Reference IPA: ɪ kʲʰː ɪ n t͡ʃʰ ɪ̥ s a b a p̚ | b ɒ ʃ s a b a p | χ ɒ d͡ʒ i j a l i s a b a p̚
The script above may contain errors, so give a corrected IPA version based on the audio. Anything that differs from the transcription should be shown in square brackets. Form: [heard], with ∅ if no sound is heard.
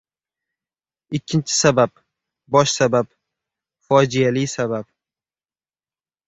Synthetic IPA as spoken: ɪ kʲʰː ɪ n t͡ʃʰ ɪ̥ s a b a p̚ | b ɒ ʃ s a b a p | [f] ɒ d͡ʒ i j a l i s a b a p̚